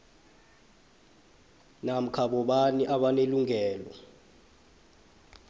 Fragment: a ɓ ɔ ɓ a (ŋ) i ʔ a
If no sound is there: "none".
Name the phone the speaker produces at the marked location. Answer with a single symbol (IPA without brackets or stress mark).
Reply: n